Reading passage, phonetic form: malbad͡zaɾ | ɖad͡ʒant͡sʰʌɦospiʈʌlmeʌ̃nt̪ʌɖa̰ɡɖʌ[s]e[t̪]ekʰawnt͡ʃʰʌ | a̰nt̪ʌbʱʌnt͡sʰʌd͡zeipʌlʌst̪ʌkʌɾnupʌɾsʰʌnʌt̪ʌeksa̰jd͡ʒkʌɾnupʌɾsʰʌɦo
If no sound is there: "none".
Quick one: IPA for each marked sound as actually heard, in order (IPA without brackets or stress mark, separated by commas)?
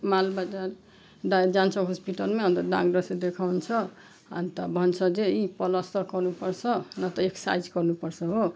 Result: s, d̪